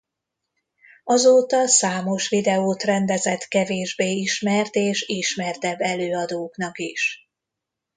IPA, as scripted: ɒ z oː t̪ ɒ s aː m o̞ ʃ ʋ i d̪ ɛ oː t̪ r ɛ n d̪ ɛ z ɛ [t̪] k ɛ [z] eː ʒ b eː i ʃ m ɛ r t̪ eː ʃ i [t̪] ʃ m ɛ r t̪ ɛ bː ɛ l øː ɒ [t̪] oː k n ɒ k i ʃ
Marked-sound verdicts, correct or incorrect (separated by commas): correct, incorrect, incorrect, incorrect